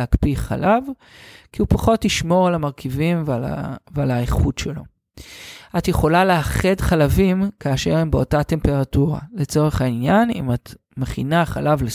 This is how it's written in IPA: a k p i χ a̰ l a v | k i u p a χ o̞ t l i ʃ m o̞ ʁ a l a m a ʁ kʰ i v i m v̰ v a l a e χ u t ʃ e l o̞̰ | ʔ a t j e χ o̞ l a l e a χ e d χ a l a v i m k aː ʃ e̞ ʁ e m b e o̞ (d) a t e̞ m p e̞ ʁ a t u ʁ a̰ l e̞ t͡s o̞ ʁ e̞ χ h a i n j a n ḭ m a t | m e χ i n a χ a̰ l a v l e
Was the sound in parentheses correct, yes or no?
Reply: no